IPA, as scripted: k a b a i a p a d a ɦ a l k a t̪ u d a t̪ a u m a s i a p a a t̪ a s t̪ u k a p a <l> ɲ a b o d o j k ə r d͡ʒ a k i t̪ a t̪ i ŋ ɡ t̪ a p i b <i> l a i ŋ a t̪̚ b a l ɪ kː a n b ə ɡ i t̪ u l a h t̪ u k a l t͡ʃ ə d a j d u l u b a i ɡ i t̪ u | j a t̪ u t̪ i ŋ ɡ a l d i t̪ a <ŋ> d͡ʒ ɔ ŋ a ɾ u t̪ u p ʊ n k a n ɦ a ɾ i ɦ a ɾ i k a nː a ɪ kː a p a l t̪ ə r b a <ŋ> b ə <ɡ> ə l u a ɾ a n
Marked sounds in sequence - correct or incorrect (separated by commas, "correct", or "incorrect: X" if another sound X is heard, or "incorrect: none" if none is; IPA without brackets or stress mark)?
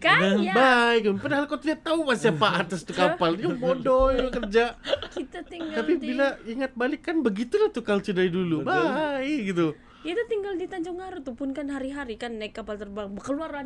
correct, correct, incorrect: ɲ, correct, incorrect: k